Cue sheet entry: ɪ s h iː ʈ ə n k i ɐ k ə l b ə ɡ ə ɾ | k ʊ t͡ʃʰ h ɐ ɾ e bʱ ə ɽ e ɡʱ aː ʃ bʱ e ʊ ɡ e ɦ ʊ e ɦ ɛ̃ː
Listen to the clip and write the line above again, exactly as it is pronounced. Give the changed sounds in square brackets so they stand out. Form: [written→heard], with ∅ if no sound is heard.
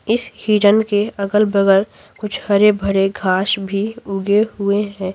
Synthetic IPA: ɪ s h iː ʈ ə n k [i→e] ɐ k ə l b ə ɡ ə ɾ | k ʊ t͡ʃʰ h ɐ ɾ e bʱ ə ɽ e ɡʱ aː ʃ bʱ [e→i] ʊ ɡ e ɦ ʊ e ɦ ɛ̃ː